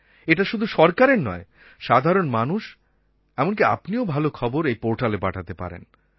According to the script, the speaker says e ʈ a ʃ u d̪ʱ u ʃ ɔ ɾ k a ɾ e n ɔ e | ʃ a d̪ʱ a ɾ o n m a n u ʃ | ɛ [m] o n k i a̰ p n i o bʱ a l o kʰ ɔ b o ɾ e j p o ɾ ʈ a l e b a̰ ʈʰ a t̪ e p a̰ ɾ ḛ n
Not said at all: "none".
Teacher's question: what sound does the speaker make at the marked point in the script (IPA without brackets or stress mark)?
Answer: m